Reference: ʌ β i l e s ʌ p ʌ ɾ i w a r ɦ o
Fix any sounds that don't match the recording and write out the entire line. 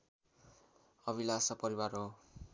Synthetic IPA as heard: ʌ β i l a s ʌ p ʌ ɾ i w a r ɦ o